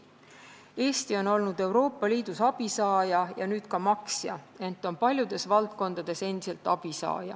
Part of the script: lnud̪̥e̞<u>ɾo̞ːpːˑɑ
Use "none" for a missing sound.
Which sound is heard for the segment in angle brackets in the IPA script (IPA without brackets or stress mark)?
w